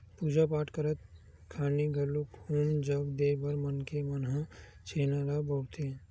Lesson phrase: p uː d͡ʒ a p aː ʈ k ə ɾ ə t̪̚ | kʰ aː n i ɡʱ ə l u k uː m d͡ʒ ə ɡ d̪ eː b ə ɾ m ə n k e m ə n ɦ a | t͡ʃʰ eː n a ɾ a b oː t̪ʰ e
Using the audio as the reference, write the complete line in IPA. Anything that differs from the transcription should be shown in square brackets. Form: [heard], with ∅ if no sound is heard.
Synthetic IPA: p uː d͡ʒ a p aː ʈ k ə ɾ ə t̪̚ | kʰ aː n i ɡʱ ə l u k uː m d͡ʒ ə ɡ d̪ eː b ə ɾ m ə n k e m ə n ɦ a | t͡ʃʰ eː n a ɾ a b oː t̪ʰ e